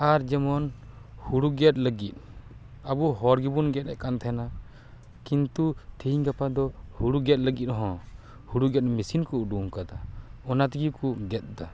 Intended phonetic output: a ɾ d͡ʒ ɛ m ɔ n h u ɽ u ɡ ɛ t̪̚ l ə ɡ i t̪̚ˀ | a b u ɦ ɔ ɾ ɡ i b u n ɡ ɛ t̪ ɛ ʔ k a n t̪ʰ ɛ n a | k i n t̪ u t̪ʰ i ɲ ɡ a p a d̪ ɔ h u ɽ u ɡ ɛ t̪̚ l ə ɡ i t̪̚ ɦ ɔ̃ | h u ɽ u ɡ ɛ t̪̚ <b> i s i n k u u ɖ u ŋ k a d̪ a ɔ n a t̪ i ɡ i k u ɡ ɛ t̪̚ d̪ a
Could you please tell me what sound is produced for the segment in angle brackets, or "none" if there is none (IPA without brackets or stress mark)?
m